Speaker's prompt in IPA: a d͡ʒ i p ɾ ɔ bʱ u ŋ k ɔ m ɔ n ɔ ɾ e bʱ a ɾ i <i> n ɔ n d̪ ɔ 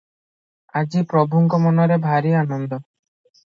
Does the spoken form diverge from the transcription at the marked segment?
yes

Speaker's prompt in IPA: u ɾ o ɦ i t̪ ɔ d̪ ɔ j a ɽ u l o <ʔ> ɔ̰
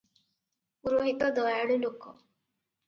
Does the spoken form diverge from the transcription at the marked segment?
yes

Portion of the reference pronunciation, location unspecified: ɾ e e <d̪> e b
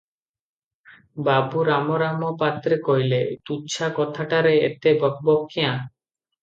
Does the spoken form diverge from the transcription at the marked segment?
yes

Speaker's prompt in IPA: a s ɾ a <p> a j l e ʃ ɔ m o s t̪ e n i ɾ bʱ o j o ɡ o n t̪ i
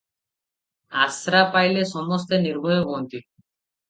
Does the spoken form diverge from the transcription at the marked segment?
no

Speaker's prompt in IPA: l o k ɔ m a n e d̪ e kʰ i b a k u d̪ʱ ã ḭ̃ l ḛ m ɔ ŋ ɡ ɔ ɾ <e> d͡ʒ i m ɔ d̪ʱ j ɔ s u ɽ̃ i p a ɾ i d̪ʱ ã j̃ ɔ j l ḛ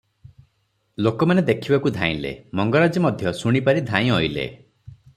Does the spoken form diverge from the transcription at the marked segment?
yes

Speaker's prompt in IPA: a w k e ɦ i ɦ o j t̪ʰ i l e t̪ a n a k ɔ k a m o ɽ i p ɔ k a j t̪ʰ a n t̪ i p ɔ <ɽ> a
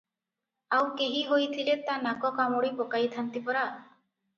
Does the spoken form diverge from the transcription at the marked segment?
yes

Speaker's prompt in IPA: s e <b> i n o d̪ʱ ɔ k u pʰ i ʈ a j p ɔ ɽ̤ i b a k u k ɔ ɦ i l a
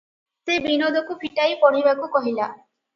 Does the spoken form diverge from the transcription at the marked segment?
no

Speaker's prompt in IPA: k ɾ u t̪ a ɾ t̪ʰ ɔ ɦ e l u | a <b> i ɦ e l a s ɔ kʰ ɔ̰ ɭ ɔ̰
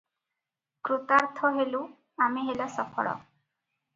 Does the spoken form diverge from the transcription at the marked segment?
yes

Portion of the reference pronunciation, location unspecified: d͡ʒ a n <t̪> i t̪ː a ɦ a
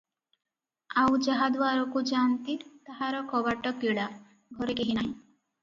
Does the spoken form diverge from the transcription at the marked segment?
no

